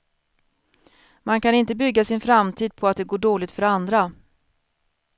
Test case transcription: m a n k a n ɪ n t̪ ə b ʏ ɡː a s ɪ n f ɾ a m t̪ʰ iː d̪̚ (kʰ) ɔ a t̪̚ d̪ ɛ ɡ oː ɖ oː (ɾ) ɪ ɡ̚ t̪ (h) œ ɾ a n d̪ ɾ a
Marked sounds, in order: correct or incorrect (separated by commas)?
incorrect, incorrect, incorrect